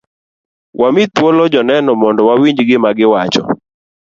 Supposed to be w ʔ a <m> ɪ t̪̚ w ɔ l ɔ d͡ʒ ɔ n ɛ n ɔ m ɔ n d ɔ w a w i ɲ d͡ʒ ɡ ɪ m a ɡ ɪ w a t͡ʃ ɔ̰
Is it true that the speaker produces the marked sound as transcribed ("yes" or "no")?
yes